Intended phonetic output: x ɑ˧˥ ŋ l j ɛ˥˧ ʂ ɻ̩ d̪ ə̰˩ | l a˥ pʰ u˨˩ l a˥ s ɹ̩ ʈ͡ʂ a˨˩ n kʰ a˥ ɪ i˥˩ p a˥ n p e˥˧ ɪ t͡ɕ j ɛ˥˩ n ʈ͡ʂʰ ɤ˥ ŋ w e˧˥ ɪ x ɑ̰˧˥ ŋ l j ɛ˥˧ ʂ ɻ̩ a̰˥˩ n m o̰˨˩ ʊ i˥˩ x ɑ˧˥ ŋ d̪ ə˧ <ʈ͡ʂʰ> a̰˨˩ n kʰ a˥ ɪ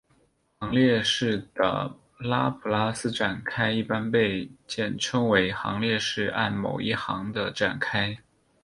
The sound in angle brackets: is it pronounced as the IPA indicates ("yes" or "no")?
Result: no